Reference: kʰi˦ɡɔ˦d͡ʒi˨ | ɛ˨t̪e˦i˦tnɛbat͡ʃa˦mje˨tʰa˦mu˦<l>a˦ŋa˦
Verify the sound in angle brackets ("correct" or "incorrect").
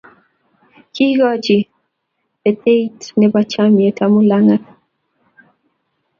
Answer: correct